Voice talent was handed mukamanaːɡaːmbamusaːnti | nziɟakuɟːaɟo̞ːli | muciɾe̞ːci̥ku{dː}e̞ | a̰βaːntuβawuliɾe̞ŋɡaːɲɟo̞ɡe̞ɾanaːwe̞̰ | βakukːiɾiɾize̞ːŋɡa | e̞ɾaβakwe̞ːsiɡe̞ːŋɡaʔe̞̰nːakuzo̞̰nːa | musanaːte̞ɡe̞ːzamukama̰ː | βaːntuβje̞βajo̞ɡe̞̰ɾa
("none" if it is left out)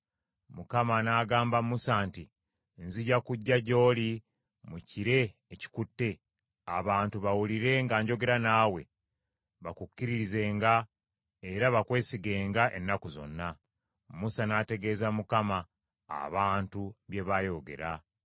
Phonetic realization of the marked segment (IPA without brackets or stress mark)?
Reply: tː